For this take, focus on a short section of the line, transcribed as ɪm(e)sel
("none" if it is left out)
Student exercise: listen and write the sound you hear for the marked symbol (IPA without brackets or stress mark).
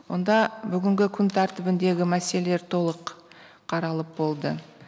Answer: æ